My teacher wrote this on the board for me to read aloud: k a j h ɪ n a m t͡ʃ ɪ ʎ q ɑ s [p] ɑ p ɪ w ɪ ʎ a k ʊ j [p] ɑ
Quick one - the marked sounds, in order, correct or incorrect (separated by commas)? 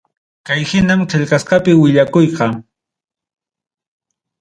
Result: incorrect, incorrect